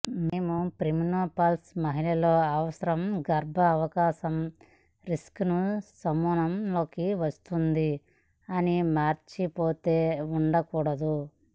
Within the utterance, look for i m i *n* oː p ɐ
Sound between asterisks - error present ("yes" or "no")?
no